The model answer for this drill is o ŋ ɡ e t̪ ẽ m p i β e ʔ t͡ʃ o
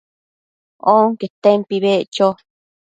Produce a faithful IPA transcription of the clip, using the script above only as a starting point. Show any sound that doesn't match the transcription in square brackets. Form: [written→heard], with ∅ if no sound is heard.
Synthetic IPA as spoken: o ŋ [ɡ→k] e t̪ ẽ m p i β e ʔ t͡ʃ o